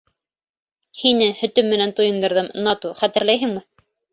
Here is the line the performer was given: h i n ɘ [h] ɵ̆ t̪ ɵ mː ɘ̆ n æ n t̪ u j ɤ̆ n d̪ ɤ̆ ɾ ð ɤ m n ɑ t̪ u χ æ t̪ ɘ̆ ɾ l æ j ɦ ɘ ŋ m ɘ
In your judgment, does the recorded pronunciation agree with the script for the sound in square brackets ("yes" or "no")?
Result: yes